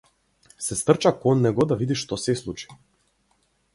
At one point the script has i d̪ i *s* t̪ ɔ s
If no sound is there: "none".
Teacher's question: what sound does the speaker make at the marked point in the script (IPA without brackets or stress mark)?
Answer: ʃ